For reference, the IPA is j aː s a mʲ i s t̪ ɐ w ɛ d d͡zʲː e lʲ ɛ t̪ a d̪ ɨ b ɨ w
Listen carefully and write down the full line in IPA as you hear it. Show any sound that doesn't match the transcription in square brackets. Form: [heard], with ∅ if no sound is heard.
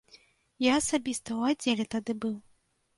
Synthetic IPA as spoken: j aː s a [bʲ] i s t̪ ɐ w [a] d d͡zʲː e lʲ ɛ t̪ a d̪ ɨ b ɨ w